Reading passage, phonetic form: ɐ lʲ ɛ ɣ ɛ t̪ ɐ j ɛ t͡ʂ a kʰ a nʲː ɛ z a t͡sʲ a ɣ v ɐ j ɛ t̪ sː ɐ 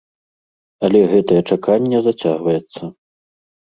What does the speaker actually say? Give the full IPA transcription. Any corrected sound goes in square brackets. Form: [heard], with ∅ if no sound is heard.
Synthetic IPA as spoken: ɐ lʲ ɛ ɣ ɛ t̪ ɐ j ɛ t͡ʂ a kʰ a nʲː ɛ z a t͡sʲ a ɣ v ɐ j ɛ t̪ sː ɐ